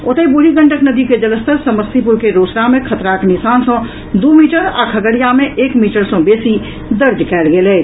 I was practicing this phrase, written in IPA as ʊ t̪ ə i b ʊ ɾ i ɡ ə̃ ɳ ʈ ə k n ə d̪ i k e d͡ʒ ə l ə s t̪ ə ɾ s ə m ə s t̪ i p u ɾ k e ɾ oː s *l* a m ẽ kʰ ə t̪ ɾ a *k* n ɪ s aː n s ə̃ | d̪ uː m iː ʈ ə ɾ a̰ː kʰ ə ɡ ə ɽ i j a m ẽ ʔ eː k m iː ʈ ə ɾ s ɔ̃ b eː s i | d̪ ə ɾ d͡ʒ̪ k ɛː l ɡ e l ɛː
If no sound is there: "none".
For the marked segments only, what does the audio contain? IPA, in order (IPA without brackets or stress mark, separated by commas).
ɾ, k